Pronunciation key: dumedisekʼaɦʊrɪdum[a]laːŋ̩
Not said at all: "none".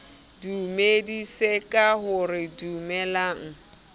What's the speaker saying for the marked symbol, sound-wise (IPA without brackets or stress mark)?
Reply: ɛ